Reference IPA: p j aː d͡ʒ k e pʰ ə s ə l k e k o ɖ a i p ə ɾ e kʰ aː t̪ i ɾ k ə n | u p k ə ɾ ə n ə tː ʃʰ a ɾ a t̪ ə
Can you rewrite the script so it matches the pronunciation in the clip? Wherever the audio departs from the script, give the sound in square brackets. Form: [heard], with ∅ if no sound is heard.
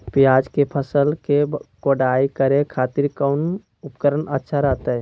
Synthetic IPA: p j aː d͡ʒ k e pʰ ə s ə l k e k o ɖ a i [k] ə ɾ e kʰ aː t̪ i ɾ k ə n | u p k ə ɾ ə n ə tː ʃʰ a ɾ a t̪ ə